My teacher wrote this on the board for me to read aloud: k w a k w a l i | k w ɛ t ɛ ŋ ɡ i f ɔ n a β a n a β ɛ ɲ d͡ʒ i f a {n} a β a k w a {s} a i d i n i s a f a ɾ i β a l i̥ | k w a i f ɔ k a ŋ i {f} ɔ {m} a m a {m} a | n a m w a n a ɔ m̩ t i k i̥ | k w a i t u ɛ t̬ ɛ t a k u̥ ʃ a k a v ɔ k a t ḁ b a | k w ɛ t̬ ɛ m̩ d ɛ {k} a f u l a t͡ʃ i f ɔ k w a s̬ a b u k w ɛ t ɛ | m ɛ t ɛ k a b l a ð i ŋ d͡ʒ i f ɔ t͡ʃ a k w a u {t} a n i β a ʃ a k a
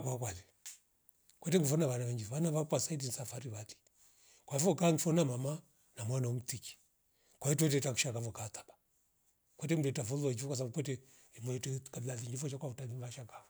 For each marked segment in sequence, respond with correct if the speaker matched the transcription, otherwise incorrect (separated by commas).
correct, correct, correct, incorrect, correct, incorrect, correct